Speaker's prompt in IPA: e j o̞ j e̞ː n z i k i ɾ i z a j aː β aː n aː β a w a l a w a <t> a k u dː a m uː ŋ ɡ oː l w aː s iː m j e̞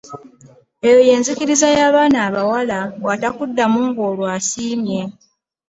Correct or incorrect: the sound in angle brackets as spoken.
correct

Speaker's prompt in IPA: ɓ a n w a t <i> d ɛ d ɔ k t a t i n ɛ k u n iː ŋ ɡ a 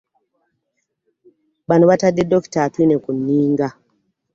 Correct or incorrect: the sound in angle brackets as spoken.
incorrect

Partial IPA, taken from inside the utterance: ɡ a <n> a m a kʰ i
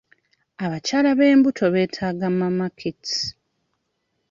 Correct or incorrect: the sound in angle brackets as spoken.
incorrect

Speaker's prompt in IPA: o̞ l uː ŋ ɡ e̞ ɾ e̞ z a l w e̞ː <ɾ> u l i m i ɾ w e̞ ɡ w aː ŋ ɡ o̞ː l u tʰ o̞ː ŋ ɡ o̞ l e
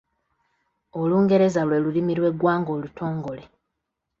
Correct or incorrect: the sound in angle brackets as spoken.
incorrect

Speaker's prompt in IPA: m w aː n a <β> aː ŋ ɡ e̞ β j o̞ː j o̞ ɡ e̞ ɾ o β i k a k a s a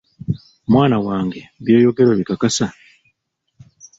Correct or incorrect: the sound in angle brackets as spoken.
incorrect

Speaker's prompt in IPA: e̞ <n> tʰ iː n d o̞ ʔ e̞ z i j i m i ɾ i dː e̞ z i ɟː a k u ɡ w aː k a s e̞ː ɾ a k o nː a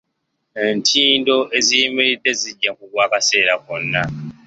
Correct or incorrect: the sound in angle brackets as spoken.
correct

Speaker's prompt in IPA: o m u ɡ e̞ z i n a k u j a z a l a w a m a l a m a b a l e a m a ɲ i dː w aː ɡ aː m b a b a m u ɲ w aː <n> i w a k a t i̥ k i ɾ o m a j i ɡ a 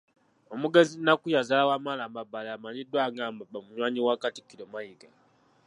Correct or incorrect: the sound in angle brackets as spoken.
incorrect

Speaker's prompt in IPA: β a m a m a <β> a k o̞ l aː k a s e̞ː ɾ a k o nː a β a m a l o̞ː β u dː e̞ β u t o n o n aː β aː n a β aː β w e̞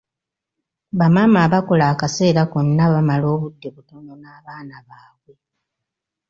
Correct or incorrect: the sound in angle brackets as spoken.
correct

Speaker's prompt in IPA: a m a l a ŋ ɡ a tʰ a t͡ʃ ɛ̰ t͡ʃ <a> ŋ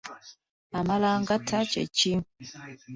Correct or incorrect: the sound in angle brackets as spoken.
incorrect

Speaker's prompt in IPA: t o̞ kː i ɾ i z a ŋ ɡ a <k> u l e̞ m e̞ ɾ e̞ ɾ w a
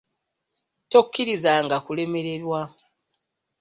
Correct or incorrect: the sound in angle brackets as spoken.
correct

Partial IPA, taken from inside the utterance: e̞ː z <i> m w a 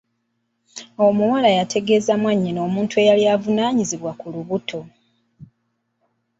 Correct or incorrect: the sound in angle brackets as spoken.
incorrect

